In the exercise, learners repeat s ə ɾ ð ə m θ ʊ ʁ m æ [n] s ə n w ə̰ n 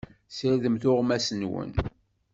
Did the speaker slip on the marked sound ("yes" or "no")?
yes